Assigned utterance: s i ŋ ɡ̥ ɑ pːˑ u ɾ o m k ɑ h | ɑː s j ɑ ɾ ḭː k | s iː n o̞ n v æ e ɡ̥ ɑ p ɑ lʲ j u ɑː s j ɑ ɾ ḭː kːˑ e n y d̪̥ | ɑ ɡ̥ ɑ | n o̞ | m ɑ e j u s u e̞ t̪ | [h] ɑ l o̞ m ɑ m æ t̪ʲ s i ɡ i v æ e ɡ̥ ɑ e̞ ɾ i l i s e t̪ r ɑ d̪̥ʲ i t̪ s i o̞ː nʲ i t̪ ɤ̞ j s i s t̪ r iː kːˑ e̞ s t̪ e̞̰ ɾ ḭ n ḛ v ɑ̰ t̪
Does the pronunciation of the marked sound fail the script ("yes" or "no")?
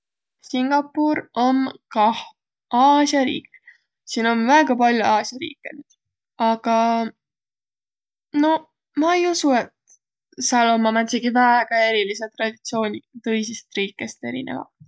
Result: yes